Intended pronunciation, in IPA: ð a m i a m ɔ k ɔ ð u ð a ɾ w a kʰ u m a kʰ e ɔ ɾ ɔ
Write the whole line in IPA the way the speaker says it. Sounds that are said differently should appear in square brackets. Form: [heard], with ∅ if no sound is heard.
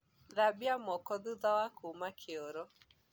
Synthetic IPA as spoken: ð a [b] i a m ɔ k ɔ ð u ð a [∅] w a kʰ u m a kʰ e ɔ ɾ ɔ

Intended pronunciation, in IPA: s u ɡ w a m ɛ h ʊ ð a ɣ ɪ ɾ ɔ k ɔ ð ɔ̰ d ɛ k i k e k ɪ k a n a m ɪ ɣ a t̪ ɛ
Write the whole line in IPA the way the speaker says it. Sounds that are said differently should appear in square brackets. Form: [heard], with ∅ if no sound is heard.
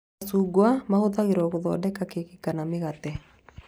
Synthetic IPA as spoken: s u ɡ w a m [a] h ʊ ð a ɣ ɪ ɾ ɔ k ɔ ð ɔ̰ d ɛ k [a] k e k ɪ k a n a m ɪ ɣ a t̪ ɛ

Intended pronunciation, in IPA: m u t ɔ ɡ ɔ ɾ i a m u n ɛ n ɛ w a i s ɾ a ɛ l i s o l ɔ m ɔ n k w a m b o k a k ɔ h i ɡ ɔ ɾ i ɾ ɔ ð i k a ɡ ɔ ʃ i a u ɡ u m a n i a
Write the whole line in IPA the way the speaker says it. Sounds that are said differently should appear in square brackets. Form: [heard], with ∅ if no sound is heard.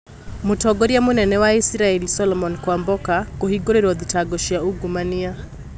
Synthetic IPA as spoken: m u t ɔ ɡ ɔ ɾ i a m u n ɛ n ɛ w a i s ɾ a ɛ l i s [ɔ] l ɔ m ɔ n k w a m b [ɔ] k a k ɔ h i ɡ ɔ ɾ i ɾ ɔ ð i [t] a ɡ ɔ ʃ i a u ɡ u m a n i a

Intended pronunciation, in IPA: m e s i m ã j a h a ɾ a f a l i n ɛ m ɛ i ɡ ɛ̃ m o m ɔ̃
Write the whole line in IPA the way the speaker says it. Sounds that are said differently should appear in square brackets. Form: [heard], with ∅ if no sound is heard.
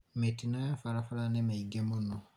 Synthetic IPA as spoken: m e [t] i [n] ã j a [f] a ɾ a f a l [a] n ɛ m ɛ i ɡ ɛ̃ m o [n] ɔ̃

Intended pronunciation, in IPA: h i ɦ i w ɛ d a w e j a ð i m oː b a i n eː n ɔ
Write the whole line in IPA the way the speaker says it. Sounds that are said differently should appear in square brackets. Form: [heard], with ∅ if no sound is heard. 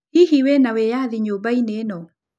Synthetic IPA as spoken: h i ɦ i w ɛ [n] a w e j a ð i [ɲ] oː b a i n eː n ɔ

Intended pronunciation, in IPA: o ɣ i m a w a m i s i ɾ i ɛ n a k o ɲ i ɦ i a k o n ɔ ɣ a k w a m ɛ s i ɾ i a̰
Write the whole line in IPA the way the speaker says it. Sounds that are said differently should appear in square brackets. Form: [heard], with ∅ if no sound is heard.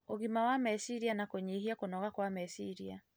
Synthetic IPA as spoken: o ɣ i m a w a m [ɛ] s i ɾ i [a] n a k o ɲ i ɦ i a k o n ɔ ɣ a k w a m ɛ s i ɾ i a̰

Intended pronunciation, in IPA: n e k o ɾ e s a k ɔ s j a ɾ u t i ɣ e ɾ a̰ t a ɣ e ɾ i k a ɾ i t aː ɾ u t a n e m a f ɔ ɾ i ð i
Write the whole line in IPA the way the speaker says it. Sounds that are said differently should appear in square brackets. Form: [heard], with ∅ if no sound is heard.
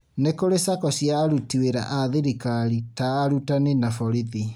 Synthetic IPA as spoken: n e k o ɾ e s a k ɔ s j a ɾ u t i [w] e ɾ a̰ [ʔ] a [ð] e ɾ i k a ɾ i t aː ɾ u t a n e [n] a f ɔ ɾ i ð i

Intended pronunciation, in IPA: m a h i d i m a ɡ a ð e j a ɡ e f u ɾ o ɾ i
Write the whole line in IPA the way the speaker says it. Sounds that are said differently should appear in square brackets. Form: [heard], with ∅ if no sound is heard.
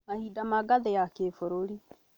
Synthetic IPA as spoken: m a h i d [a] m a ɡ a ð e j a [k] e f [o] ɾ o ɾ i

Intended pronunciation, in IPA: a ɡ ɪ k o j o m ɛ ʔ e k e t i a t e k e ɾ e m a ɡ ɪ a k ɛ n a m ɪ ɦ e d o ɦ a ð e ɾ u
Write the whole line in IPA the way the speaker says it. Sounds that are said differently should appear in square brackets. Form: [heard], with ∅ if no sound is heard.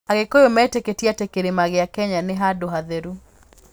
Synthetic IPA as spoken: a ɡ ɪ k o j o m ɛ [t] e k e t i a t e k e ɾ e m a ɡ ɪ a k ɛ [ɲ] a [n] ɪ ɦ [a] d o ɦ a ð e ɾ u

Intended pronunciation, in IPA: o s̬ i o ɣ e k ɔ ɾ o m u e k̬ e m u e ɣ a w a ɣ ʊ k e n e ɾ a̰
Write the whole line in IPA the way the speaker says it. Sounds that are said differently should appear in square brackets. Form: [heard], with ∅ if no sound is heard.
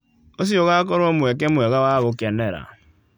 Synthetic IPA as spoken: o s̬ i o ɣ [a] k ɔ ɾ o m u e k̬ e m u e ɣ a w a ɣ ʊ k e n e ɾ a̰

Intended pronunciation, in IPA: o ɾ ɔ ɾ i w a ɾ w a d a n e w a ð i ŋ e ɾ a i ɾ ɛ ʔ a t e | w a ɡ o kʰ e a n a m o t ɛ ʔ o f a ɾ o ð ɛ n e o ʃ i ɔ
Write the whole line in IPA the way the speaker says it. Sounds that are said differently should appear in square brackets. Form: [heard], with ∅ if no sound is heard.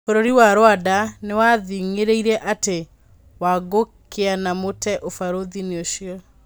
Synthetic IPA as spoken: o ɾ [o] ɾ i w a ɾ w a d a n e w a ð i ŋ e ɾ [e] i ɾ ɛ ʔ a t e | w a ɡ o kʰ e a n a m o t ɛ ʔ o f a ɾ o ð [i] n e o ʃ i ɔ

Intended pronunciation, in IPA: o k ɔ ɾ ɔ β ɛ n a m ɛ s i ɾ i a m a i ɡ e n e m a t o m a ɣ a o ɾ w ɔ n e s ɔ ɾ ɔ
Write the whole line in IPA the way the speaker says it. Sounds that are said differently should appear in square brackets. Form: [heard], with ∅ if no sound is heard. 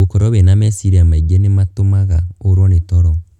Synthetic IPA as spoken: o k ɔ ɾ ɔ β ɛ n a m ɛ s i ɾ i a m a i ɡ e n e m a t o m a ɣ a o ɾ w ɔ n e [t] ɔ ɾ ɔ

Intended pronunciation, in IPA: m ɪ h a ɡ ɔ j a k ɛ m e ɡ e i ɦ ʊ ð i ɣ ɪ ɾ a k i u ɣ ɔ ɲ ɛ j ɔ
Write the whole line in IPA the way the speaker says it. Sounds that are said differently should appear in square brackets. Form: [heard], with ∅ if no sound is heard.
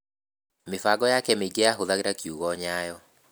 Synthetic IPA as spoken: m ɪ [f] a ɡ ɔ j a k ɛ m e ɡ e [a] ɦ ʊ ð [a] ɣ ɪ ɾ a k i u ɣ ɔ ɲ [a] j ɔ

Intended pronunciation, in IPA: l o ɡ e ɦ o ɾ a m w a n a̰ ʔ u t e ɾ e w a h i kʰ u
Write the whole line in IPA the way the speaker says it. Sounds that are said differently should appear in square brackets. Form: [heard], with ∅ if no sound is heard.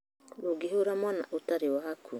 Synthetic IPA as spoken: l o ɡ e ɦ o ɾ a m w a n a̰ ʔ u t [a] ɾ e w a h [a] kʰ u

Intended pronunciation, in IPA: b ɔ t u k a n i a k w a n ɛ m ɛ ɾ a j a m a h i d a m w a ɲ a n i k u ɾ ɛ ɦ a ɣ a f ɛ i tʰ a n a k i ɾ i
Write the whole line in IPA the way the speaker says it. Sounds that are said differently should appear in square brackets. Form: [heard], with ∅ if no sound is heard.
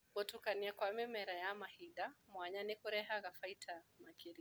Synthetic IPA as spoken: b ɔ t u k a n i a k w a [m] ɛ m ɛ ɾ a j a m a h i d a m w a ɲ a n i k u ɾ ɛ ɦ a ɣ a f [a] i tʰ a [m] a k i ɾ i

